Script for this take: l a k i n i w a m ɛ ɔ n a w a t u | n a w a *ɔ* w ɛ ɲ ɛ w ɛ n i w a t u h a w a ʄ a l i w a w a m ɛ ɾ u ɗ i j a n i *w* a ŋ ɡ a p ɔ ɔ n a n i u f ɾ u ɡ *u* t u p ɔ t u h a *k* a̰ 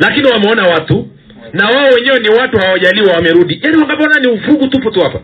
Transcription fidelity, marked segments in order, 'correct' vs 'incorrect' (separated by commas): correct, correct, correct, incorrect